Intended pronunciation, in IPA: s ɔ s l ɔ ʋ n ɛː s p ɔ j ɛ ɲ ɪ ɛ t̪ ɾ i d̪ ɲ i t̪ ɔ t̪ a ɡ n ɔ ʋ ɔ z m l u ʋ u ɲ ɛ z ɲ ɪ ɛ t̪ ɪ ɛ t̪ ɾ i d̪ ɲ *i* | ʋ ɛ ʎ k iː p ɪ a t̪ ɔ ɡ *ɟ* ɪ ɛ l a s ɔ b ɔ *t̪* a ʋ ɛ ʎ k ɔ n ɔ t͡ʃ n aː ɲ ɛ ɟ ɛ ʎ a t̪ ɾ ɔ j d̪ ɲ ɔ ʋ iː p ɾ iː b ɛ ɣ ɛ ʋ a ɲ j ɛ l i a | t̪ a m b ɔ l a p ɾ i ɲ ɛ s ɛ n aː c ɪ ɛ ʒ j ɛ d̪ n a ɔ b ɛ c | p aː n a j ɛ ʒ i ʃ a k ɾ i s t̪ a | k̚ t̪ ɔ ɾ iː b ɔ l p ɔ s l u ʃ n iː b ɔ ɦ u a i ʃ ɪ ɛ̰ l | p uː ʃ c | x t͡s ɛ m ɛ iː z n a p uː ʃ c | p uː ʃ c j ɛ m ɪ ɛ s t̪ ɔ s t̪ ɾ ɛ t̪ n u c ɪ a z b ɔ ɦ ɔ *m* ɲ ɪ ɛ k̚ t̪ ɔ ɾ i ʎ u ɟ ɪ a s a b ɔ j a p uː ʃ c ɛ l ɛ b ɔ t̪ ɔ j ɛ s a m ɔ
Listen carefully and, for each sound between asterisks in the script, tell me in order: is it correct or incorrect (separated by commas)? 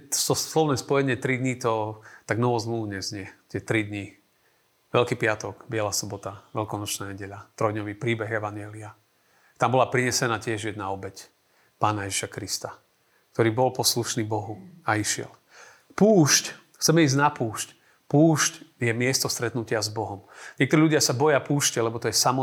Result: correct, incorrect, correct, correct